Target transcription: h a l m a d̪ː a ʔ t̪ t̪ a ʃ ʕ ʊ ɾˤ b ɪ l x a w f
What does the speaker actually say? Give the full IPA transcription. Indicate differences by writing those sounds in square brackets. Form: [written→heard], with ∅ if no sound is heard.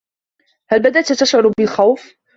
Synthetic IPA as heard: h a l [m→b] a [d̪ː→d̪] a ʔ t̪ t̪ a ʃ ʕ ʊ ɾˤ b ɪ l x a w f